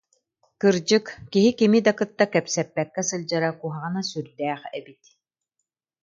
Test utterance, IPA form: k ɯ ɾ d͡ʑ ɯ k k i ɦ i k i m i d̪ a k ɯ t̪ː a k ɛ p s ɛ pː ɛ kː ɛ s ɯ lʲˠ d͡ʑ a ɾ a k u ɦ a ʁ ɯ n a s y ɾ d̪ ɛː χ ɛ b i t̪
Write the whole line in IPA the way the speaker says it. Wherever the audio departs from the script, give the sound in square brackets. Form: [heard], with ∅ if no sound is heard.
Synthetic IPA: k ɯ ɾ d͡ʑ ɯ k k i ɦ i k i m i d̪ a k ɯ t̪ː a k ɛ p s ɛ pː ɛ kː ɛ s ɯ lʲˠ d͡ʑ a ɾ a k u ɦ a ʁ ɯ n a s y ɾ d̪ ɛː χ ɛ b i t̪